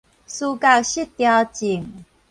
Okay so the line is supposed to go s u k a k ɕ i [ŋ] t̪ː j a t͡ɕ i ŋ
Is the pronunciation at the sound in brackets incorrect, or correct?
incorrect: none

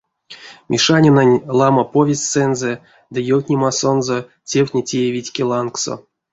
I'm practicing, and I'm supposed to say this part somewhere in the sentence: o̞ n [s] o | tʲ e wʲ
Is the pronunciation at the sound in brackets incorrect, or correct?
incorrect: z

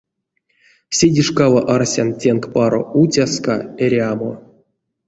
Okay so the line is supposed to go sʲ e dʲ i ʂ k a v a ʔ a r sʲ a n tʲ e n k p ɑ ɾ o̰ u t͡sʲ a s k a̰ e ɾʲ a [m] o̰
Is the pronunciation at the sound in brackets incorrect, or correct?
correct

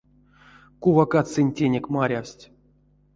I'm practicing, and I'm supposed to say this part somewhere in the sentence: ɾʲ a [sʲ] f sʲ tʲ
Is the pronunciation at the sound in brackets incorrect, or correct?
incorrect: none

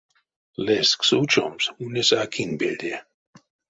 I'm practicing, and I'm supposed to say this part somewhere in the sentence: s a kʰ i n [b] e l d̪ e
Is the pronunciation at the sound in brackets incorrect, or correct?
correct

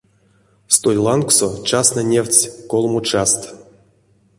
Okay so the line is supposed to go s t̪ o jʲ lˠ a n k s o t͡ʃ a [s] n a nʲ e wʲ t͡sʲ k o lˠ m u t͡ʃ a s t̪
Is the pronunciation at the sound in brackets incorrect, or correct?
correct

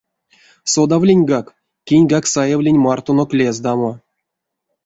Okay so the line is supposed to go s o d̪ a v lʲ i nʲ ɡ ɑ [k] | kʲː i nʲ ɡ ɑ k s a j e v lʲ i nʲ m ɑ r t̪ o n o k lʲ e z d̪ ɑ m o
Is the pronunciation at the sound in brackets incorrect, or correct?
correct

